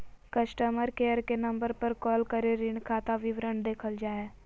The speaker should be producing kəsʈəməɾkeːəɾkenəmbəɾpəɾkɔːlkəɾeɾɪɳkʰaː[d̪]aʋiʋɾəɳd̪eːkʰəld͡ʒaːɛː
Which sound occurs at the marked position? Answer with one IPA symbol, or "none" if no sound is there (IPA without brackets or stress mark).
t̪